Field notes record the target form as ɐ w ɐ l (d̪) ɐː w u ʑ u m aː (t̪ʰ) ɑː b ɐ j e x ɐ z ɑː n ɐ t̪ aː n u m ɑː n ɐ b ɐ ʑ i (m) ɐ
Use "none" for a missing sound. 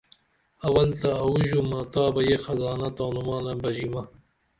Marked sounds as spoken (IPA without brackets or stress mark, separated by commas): t̪, t̪, m